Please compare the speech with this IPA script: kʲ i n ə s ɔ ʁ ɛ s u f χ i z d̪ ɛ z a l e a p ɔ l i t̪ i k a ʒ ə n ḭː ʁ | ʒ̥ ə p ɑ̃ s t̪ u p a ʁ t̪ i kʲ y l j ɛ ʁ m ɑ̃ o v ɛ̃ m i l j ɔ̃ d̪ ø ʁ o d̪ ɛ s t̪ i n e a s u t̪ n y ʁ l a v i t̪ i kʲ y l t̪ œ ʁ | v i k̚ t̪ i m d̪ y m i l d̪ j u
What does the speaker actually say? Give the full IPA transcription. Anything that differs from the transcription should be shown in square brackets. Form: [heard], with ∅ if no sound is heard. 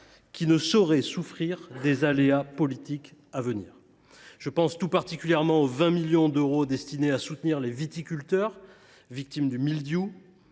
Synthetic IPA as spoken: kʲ i n ə s ɔ ʁ ɛ s u f χ i [ʁ] d̪ [e] z a l e a p ɔ l i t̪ i k a [v] ə n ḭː ʁ | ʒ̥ ə p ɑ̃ s t̪ u p a ʁ t̪ i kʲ y l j ɛ ʁ m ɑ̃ o v ɛ̃ m i l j ɔ̃ d̪ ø ʁ o d̪ ɛ s t̪ i n e a s u t̪ n [i] ʁ l [e] v i t̪ i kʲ y l t̪ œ ʁ | v i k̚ t̪ i m d̪ y m i l d̪ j u

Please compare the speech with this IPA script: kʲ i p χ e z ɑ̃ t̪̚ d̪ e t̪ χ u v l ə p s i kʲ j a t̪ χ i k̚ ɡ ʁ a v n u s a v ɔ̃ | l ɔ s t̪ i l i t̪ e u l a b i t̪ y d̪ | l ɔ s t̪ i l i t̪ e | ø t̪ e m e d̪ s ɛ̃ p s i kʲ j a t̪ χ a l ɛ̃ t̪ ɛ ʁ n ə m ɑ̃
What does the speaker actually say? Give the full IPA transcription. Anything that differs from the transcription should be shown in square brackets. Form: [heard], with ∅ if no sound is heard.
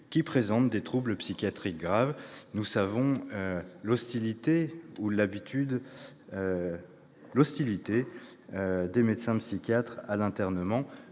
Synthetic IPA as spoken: kʲ i p χ e z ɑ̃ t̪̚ d̪ e t̪ χ u [b] l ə p s i kʲ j a t̪ χ i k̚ ɡ ʁ a v n u s a v ɔ̃ | l ɔ s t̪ i l i t̪ e u l a b i t̪ y d̪ | l ɔ s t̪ i l i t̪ e | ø [d̪] e m e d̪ s ɛ̃ p s i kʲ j a t̪ χ a l ɛ̃ t̪ ɛ ʁ n ə m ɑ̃

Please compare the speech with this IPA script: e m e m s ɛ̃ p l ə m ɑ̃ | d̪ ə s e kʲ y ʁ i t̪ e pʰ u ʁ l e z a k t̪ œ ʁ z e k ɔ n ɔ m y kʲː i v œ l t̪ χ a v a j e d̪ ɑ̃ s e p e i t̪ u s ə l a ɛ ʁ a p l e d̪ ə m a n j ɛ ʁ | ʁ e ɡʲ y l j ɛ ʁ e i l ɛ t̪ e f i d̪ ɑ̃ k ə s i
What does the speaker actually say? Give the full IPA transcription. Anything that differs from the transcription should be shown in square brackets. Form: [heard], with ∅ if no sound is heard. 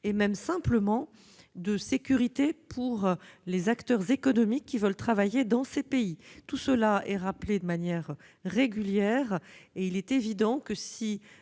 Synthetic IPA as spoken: e m [ɛ] m s ɛ̃ p l ə m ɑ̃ | d̪ ə s e kʲ y ʁ i t̪ e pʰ u ʁ l e z a k t̪ œ ʁ z e k ɔ n ɔ m [i] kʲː i v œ l t̪ χ a v a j e d̪ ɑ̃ s e p e i t̪ u s ə l a ɛ ʁ a p l e d̪ ə m a n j ɛ ʁ | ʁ e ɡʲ y l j ɛ ʁ e i l ɛ t̪ e [v] i d̪ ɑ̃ k ə s i

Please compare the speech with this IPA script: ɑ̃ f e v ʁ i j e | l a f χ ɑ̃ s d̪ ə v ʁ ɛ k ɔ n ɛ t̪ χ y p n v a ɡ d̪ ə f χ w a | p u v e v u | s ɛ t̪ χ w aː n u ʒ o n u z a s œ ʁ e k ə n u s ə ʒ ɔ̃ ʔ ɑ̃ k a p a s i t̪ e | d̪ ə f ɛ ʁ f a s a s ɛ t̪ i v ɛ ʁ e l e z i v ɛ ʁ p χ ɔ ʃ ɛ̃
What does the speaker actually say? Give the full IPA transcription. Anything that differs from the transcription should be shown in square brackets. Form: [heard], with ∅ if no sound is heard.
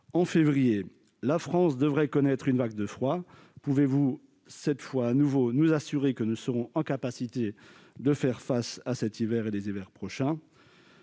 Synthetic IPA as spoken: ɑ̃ f e v ʁ i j e | l a f χ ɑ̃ s d̪ ə v ʁ ɛ k ɔ n ɛ t̪ χ y [∅] n v a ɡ d̪ ə f χ w a | p u v e v u | s ɛ t̪ [f] w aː n u [v] o n u z a s [y] ʁ e k ə n u s ə [ʁ] ɔ̃ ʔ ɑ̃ k a p a s i t̪ e | d̪ ə f ɛ ʁ f a s a s ɛ t̪ i v ɛ ʁ e l e z i v ɛ ʁ p χ ɔ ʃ ɛ̃

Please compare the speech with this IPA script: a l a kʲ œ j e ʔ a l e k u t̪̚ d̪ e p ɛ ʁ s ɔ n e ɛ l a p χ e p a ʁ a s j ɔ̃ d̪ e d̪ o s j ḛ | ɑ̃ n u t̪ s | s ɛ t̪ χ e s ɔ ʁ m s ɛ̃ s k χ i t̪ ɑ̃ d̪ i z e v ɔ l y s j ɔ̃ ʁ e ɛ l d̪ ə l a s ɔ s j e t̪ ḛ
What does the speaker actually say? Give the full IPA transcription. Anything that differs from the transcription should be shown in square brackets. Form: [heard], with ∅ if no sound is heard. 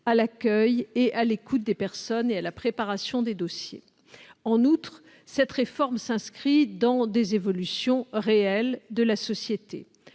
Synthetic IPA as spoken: a l a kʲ œ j e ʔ a l e k u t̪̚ d̪ e p ɛ ʁ s ɔ n e [a] l a p χ e p a ʁ a s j ɔ̃ d̪ e d̪ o s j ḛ | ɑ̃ n u t̪ [χ] | s ɛ t̪ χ e [f] ɔ ʁ m s ɛ̃ s k χ i [d̪] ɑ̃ d̪ [e] z e v ɔ l y s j ɔ̃ ʁ e ɛ l d̪ ə l a s ɔ s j e t̪ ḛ

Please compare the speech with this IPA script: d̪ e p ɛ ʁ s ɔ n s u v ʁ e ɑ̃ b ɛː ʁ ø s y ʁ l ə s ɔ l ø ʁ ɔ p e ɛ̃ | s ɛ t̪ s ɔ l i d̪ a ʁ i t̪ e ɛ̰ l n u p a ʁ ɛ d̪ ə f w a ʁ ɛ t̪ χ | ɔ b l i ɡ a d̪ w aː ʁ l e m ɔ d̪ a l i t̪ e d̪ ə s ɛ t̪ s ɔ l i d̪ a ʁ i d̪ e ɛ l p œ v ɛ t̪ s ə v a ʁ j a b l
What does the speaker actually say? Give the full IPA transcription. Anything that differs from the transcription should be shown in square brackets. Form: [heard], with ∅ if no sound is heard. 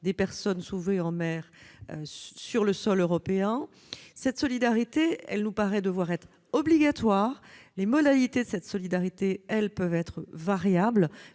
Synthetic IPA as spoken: d̪ e p ɛ ʁ s ɔ n s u v ʁ e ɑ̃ [m] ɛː ʁ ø s y ʁ l ə s ɔ l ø ʁ ɔ p e ɛ̃ | s ɛ t̪ s ɔ l i d̪ a ʁ i t̪ e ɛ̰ l n u p a ʁ ɛ d̪ ə [v] w a ʁ ɛ t̪ χ | ɔ b l i ɡ a [t̪] w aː ʁ l e m ɔ d̪ a l i t̪ e d̪ ə s ɛ t̪ s ɔ l i d̪ a ʁ i [t̪] e ɛ l p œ v ɛ t̪ [χ] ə v a ʁ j a b l

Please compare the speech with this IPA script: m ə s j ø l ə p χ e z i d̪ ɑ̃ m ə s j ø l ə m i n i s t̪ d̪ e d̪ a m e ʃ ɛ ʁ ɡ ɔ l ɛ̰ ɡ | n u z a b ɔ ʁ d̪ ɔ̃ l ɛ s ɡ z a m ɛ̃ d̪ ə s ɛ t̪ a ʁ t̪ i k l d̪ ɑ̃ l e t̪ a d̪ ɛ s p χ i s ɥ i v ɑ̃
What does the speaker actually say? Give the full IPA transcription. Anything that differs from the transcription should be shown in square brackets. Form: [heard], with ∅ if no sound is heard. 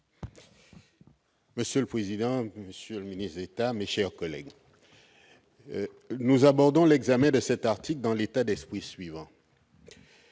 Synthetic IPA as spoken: m ə s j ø l ə p χ e z i d̪ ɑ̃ m ə s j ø l ə m i n i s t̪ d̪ e [t̪] a m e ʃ ɛ ʁ [k] ɔ l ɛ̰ ɡ | n u z a b ɔ ʁ d̪ ɔ̃ l ɛ [∅] ɡ z a m ɛ̃ d̪ ə s ɛ t̪ a ʁ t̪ i k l d̪ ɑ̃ l e t̪ a d̪ ɛ s p χ i s ɥ i v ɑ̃

